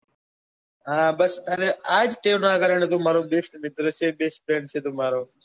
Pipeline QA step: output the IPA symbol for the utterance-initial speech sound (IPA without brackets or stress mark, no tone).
ɦ